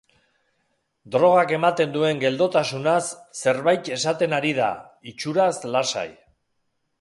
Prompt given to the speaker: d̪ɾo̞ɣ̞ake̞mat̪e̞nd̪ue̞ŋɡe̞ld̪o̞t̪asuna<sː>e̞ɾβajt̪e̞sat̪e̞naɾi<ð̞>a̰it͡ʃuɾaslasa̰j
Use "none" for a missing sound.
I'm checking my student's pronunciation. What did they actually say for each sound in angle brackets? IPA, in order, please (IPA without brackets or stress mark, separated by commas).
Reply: sː, ð̞